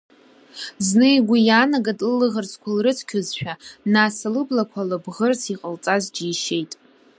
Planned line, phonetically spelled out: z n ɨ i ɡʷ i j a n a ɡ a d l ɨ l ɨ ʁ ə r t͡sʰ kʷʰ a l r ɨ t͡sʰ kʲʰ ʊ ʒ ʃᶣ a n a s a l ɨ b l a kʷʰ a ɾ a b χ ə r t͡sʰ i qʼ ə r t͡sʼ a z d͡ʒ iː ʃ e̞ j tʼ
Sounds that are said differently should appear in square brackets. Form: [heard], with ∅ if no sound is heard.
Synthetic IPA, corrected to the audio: z n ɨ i ɡʷ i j a n a ɡ a d l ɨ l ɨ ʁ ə r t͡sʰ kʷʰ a l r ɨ t͡sʰ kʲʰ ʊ [z] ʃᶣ a n a s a l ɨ b l a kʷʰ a [l] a b [ʁ] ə r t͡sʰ i qʼ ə [l] t͡sʼ a z d͡ʒ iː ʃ e̞ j tʼ

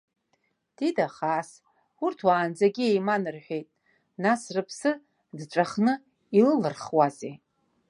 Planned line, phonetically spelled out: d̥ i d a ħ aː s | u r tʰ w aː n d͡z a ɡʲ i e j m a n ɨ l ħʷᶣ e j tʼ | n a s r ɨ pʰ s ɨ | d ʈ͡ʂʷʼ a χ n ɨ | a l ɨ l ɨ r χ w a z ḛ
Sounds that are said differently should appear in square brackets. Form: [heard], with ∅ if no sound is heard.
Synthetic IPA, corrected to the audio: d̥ i d a [χ] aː s | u r tʰ w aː n d͡z a ɡʲ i e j m a n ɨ [r] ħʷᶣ e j tʼ | n a s r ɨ pʰ s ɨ | d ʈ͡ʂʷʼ a χ n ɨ | [i] l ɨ l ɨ r χ w a z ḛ

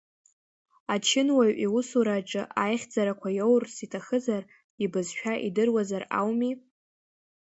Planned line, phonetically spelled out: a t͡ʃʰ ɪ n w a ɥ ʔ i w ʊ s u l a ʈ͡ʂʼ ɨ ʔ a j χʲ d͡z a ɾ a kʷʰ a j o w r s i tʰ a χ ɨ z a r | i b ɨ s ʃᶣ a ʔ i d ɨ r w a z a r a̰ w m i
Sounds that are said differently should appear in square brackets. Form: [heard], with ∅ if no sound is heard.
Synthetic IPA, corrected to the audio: a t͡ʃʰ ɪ n w a ɥ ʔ i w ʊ s u [ɾ] a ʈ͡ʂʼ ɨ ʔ a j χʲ d͡z a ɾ a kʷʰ a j o w r s i tʰ a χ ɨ z a r | i b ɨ [z] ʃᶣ a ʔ i d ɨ r w a z a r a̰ w m i

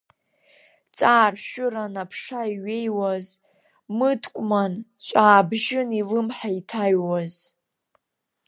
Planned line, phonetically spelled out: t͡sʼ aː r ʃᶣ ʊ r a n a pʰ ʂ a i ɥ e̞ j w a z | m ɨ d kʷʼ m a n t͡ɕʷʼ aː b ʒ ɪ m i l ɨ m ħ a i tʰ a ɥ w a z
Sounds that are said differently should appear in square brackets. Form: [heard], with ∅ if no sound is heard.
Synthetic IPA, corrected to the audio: t͡sʼ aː r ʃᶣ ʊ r a n a pʰ ʂ a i ɥ e̞ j w a z | m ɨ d kʷʼ m a n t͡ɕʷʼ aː b ʒ ɪ [n] i l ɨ m ħ a i tʰ a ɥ w a z

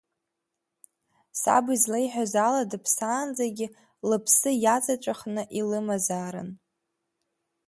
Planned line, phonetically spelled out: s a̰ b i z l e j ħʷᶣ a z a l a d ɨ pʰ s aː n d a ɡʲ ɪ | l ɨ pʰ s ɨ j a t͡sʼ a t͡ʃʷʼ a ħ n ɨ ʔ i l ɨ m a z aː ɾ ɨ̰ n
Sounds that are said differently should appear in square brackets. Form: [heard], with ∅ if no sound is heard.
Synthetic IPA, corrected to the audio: s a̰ b i z l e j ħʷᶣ a z a l a d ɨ pʰ s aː n [d͡z] a ɡʲ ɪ | l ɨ pʰ s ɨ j a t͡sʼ a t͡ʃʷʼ a [χ] n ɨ ʔ i l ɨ m a z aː ɾ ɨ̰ n

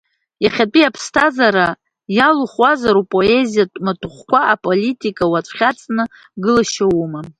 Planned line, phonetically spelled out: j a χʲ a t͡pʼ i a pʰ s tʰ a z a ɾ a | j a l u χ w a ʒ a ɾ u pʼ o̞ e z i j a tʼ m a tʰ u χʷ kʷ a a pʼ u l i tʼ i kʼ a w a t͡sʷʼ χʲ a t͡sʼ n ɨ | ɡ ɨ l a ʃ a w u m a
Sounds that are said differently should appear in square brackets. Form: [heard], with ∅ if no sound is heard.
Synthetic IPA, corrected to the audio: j a χʲ a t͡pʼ i a pʰ s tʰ a z a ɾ a | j a l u χ w a [z] a ɾ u pʼ o̞ e z i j a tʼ m a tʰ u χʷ kʷ a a pʼ [o] l i tʼ i kʼ a w a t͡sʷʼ χʲ a t͡sʼ n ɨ | ɡ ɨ l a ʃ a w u m a

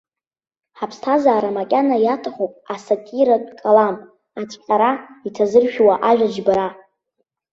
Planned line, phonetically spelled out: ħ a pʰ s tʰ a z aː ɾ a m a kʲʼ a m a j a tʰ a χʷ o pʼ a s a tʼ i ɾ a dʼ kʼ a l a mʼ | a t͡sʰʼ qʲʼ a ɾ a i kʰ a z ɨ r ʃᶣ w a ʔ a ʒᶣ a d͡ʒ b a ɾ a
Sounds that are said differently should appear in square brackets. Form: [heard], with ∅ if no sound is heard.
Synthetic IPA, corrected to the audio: ħ a pʰ s tʰ a z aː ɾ a m a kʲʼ a [n] a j a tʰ a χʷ o pʼ a s a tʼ i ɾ a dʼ kʼ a l a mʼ | a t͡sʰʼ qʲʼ a ɾ a i [tʰ] a z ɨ r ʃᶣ w a ʔ a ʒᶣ a d͡ʒ b a ɾ a

